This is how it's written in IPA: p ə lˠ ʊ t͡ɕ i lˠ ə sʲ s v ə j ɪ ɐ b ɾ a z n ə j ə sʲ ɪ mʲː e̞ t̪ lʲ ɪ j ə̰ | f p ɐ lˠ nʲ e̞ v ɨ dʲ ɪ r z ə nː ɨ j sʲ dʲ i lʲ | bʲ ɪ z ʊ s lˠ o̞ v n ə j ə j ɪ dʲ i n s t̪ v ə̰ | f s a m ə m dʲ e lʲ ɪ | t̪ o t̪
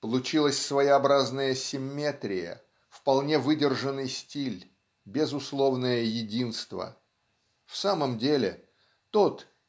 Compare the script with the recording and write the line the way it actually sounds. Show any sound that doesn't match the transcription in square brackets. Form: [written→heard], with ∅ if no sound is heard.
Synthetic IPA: p ə lˠ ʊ t͡ɕ i lˠ ə sʲ s v ə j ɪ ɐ b ɾ a z n ə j ə sʲ ɪ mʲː e̞ t̪ [lʲ→ɾʲ] ɪ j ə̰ | f p ɐ lˠ nʲ e̞ v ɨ dʲ ɪ r [z→ʐ] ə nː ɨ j sʲ [dʲ→tʲ] i lʲ | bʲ ɪ z ʊ s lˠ o̞ v n ə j ə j ɪ dʲ i n s t̪ v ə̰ | f s a m ə m dʲ e lʲ ɪ | t̪ o t̪